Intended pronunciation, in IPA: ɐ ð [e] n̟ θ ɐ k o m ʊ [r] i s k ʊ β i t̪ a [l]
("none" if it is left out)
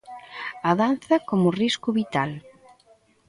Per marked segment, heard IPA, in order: a, r, l

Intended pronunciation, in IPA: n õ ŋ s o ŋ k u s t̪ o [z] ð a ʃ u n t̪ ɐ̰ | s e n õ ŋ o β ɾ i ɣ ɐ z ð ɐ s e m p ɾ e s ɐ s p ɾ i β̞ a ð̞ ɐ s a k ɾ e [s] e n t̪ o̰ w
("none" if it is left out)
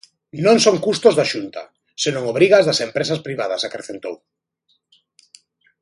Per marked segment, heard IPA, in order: z, θ

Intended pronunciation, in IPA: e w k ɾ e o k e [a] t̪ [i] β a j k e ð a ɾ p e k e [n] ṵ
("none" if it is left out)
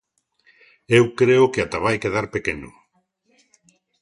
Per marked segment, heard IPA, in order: a, a, n

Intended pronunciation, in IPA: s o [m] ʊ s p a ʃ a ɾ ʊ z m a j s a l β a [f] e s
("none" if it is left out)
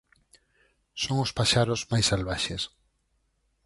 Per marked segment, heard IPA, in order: ŋ, ʃ

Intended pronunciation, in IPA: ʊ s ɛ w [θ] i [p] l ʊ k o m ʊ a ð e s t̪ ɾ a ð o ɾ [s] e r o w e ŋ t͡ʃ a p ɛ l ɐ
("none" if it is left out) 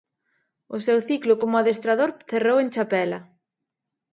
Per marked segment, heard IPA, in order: θ, k, θ

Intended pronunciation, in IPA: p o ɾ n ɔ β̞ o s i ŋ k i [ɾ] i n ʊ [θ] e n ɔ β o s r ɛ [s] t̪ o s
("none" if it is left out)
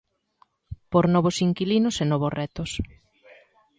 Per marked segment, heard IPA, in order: l, s, none

